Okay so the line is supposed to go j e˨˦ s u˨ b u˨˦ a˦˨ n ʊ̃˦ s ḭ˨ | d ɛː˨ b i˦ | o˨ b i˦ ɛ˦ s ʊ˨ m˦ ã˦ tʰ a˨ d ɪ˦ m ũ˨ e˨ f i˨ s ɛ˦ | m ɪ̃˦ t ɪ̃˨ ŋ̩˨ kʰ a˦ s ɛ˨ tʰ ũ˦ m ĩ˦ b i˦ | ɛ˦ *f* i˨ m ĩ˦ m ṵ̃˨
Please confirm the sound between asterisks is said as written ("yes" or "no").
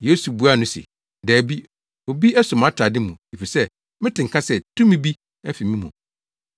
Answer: yes